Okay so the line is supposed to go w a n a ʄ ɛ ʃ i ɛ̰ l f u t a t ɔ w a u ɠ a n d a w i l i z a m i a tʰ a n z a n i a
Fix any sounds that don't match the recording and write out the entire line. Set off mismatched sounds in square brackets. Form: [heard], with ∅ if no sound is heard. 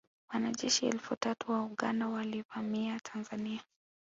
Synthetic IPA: w a n a ʄ ɛ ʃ i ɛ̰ l f u t a t [u] w a u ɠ a n d a w [a] l i [v] a m i a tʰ a n z a n i a